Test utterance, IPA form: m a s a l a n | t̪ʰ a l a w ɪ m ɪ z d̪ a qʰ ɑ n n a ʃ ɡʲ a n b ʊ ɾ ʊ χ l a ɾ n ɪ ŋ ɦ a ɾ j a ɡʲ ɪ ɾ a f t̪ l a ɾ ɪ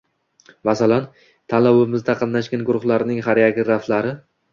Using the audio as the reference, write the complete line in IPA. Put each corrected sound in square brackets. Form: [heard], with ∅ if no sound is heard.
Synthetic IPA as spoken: m a s a l a n | t̪ʰ a l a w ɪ m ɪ z d̪ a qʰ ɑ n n a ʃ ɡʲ a n [ɡ] ʊ ɾ ʊ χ l a ɾ n ɪ ŋ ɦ a ɾ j a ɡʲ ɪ ɾ a f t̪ l a ɾ ɪ